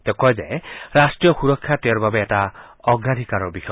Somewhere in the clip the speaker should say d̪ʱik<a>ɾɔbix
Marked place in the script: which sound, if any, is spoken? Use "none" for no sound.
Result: a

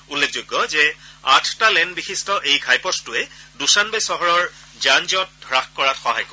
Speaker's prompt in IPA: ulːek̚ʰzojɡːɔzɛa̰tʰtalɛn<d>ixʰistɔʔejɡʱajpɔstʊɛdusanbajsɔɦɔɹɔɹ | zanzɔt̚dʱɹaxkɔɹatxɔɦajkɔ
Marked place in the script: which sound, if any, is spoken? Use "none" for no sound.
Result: b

